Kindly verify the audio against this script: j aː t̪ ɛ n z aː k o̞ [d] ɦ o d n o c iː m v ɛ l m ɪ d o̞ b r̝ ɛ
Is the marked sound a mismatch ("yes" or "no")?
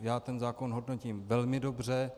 yes